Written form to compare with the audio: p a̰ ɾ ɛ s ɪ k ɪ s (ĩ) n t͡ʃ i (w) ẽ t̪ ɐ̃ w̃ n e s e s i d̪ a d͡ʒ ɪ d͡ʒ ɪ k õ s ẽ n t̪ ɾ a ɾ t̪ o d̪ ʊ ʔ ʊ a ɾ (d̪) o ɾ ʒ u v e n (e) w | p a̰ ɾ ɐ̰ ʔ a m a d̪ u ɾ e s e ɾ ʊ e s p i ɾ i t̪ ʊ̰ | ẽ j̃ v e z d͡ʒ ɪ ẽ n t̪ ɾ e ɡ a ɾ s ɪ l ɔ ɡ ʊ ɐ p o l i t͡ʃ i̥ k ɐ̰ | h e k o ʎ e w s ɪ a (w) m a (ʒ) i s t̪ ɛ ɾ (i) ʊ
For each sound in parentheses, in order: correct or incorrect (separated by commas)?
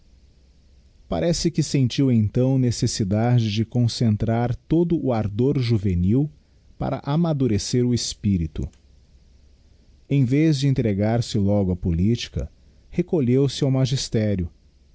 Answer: incorrect, correct, correct, incorrect, correct, correct, incorrect